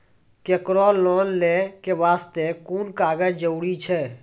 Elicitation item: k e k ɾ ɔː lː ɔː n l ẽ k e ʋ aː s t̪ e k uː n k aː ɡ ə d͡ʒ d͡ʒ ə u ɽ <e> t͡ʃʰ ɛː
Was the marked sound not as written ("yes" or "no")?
yes